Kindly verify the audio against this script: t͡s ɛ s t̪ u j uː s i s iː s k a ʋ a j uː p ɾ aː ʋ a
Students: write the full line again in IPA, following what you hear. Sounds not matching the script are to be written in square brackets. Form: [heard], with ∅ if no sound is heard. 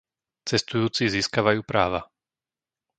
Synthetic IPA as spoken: t͡s ɛ s t̪ u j uː [t͡s] i [z] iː s k a ʋ a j uː p ɾ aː ʋ a

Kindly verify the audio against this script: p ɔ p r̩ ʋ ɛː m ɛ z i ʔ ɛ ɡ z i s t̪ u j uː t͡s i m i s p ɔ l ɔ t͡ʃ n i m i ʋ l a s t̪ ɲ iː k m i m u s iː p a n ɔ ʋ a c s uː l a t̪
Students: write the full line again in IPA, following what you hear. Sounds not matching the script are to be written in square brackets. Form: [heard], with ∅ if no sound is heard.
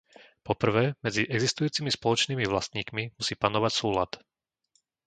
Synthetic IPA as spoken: p ɔ p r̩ ʋ ɛː m ɛ [d͡z] i ʔ ɛ ɡ z i s t̪ u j uː t͡s i m i s p ɔ l ɔ t͡ʃ n [iː] m i ʋ l a s t̪ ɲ iː k m i m u s iː p a n ɔ ʋ a c s uː l a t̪

